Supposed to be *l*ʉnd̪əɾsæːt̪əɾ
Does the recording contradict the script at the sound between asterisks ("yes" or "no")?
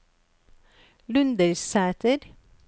no